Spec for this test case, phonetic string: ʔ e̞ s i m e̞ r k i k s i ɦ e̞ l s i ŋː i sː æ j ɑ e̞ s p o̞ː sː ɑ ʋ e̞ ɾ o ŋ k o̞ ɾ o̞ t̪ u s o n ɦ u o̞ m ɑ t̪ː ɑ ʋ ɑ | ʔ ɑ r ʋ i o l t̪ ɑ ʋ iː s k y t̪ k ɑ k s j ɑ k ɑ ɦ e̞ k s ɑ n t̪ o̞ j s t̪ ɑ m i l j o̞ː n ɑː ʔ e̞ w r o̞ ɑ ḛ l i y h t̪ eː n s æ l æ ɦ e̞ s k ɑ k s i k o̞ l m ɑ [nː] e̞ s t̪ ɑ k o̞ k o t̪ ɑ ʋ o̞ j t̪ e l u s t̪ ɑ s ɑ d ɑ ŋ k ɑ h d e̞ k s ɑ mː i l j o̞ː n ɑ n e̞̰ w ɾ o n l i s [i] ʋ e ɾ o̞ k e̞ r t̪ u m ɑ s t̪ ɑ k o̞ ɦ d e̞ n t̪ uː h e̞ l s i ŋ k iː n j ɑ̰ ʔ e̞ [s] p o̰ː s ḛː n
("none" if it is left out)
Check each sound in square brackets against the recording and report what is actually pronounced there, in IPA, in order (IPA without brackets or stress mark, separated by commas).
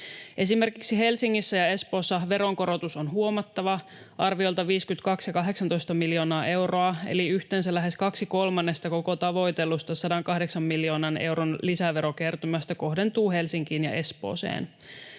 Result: nː, æ, s